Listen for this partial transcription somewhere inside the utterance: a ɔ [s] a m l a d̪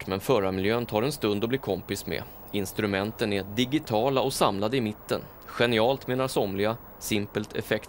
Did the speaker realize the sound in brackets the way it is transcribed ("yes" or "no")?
yes